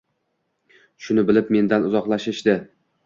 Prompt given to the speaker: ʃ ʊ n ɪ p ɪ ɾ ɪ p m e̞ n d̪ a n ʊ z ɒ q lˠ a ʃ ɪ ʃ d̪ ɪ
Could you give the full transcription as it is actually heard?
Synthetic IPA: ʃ ʊ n ɪ b ɪ l ɪ p m e̞ n d̪ a n ʊ z ɒ q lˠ a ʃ ɪ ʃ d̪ ɪ